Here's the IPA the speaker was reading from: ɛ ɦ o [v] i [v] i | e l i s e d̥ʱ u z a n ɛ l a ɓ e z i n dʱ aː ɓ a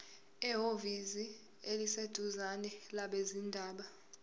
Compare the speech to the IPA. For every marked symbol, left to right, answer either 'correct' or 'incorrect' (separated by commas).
correct, incorrect